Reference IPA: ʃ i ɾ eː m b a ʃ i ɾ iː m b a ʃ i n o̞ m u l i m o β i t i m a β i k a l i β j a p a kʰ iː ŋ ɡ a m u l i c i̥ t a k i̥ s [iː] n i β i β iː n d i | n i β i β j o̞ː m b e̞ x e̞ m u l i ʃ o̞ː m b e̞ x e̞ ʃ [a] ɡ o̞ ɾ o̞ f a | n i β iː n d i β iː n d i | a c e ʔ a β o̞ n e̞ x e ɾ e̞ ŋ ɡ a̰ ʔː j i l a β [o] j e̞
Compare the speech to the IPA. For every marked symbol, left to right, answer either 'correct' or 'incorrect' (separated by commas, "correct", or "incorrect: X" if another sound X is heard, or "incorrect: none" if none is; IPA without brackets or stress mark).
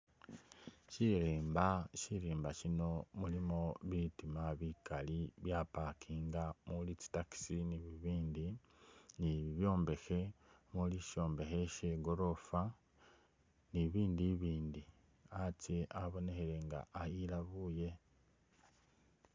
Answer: incorrect: i, incorrect: e, incorrect: u